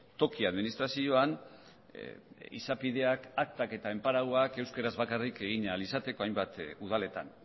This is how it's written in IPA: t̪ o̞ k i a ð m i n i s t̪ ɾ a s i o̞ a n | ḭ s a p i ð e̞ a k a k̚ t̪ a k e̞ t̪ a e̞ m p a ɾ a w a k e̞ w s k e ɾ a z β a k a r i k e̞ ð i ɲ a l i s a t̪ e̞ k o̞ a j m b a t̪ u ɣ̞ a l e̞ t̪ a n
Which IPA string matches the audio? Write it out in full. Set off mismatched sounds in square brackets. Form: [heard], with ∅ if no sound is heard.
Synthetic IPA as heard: t̪ o̞ k i a ð m i n i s t̪ ɾ a s i o̞ a n | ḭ s a p i ð e̞ a k a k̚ t̪ a k e̞ t̪ a e̞ m p a ɾ a w a k e̞ w s k e ɾ a z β a k a r i k e̞ [ɣ] i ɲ a l i s a t̪ e̞ k o̞ a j m b a t̪ u [ð̞] a l e̞ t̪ a n

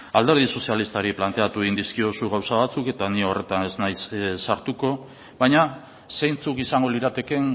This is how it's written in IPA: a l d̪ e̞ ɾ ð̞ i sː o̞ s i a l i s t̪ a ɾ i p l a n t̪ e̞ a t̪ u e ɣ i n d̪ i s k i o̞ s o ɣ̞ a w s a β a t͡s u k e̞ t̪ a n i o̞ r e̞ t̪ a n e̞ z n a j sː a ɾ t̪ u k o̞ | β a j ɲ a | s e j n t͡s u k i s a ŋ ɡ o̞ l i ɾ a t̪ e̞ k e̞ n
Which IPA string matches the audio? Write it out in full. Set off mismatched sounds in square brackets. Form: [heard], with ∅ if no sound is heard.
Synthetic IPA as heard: a l d̪ e̞ ɾ ð̞ i [s] o̞ s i a l i s t̪ a ɾ i p l a n t̪ e̞ a t̪ u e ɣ i n d̪ i s k i o̞ s [u] ɣ̞ a w s a β a t͡s u k e̞ t̪ a n i o̞ r e̞ t̪ a n e̞ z n a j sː a ɾ t̪ u k o̞ | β a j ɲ a | s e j n t͡s u k i s a ŋ ɡ o̞ l i ɾ a t̪ e̞ k e̞ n

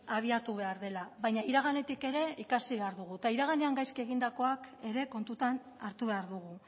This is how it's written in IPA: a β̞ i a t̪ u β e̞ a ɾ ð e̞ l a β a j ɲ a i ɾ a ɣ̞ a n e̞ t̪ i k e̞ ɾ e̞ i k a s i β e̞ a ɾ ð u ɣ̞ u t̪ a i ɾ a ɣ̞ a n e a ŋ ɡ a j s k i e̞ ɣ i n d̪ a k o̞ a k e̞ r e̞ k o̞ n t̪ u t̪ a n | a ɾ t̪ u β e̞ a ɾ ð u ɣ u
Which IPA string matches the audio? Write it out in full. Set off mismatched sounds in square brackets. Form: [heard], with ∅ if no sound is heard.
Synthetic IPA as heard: a β̞ i a t̪ u β e̞ a ɾ ð e̞ l a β a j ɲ a i ɾ a ɣ̞ a n e̞ t̪ i k e̞ ɾ e̞ i k a s i β e̞ a ɾ ð u ɣ̞ u t̪ a i ɾ a ɣ̞ a n e a ŋ ɡ a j s k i e̞ ɣ i n d̪ a k o̞ a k e̞ [ɾ] e̞ k o̞ n t̪ u t̪ a n | a ɾ t̪ u β e̞ a ɾ ð u ɣ u

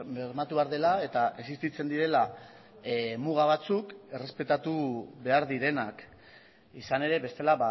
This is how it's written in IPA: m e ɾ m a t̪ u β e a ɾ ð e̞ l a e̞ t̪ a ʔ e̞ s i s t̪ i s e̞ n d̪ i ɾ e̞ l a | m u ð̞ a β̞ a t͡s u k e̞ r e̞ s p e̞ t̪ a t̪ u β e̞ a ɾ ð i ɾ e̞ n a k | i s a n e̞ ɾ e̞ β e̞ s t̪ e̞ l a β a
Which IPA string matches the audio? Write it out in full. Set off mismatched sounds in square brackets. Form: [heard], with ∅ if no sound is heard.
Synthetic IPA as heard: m e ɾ m a t̪ u β e a ɾ ð e̞ l a e̞ t̪ a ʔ e̞ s i s t̪ i [t͡s] e̞ n d̪ i ɾ e̞ l a | m u [ɣ̞] a β̞ a t͡s u k e̞ r e̞ s p e̞ t̪ a t̪ u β e̞ a ɾ ð i ɾ e̞ n a k | i s a n e̞ ɾ e̞ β e̞ s t̪ e̞ l a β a

